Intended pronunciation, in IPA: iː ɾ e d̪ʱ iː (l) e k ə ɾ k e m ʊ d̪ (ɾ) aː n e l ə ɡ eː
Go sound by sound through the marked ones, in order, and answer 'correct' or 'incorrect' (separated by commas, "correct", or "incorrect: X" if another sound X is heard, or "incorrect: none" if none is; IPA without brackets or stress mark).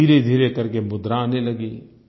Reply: incorrect: ɾ, correct